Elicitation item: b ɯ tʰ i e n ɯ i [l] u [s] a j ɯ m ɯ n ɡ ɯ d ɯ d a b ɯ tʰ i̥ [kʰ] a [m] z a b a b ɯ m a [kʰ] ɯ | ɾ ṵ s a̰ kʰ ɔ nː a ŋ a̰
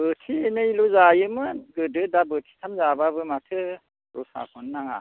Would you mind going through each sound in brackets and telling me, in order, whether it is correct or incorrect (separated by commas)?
correct, incorrect, incorrect, correct, incorrect